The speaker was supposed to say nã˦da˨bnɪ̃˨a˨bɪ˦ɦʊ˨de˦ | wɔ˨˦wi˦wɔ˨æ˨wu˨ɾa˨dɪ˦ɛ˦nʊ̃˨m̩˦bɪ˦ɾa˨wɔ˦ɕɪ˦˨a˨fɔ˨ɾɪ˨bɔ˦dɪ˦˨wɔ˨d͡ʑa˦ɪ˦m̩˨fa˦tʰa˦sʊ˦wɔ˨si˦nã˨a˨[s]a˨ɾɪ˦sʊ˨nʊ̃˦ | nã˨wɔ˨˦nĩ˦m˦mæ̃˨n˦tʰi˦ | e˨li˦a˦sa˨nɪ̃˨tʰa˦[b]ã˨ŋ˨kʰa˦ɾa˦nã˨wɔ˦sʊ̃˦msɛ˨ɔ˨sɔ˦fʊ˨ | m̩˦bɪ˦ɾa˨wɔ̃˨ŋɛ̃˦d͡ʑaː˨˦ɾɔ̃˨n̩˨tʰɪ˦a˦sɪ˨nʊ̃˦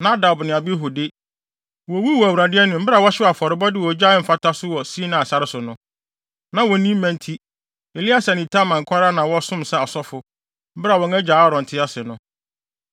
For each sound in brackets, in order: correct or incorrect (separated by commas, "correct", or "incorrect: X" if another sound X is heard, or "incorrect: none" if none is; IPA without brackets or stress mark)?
correct, incorrect: m